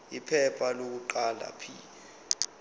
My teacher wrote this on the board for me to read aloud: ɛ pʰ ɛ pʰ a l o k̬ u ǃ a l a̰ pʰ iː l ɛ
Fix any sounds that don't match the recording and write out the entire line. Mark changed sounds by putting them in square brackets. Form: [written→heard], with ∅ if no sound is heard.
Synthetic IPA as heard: [ɛ→i] pʰ ɛ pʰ a l o k̬ u ǃ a l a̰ pʰ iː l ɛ